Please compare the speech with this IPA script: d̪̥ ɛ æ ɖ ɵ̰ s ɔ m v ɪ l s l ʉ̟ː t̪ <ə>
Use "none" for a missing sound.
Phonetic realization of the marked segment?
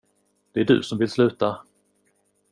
a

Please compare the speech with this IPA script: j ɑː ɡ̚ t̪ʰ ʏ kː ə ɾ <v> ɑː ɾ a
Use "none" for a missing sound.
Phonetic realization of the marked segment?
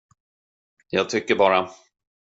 b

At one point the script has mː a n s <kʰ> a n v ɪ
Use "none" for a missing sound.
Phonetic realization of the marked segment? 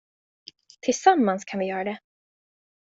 kʰ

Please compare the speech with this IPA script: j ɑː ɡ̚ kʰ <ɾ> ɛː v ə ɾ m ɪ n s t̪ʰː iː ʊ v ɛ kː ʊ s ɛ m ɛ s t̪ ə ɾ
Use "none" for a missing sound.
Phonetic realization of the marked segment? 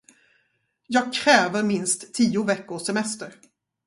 ɾ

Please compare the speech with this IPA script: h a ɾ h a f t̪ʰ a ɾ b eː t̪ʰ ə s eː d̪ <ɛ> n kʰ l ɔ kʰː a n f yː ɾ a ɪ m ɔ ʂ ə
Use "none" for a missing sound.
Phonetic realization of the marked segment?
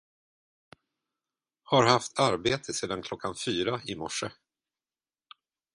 a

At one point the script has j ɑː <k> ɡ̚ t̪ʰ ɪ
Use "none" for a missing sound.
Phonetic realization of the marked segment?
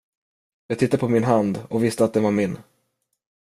none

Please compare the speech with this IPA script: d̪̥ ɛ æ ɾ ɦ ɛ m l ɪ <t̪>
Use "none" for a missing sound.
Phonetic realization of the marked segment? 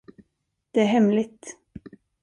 t̪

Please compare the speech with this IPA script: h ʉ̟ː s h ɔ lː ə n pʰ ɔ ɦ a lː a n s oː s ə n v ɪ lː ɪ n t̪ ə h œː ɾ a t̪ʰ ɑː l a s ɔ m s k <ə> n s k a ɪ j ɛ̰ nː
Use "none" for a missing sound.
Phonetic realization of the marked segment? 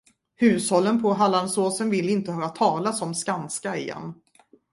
a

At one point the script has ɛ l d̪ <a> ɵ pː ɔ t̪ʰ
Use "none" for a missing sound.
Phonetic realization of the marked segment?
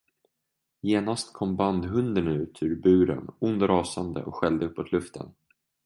ə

